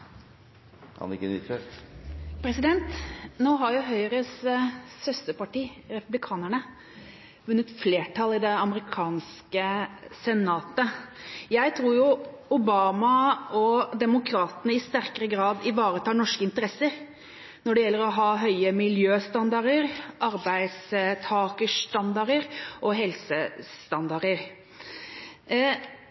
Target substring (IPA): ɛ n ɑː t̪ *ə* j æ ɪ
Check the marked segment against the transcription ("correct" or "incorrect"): correct